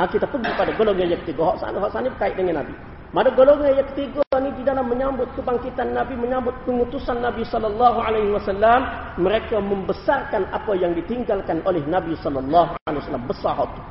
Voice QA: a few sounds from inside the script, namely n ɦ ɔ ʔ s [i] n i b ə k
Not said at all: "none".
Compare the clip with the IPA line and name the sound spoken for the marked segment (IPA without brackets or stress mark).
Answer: a